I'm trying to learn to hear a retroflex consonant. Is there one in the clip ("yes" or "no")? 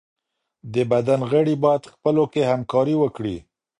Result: yes